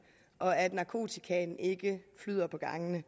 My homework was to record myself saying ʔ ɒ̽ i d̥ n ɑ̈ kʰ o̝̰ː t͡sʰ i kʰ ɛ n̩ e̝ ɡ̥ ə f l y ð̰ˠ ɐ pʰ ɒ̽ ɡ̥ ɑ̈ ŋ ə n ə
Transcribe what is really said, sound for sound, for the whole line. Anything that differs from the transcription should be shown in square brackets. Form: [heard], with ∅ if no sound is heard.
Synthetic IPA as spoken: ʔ ɒ̽ [æ] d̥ n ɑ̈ kʰ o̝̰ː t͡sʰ i kʰ ɛ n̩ e̝ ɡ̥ ə f l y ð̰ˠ ɐ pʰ ɒ̽ ɡ̥ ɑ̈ ŋ ə n ə